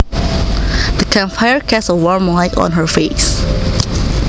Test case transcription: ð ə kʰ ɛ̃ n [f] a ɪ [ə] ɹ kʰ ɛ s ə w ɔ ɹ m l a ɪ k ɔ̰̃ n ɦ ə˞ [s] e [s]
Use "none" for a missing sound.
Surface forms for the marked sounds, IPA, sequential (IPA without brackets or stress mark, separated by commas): f, ə, f, s